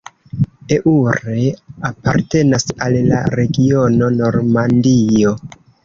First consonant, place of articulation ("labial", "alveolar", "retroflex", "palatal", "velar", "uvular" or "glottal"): glottal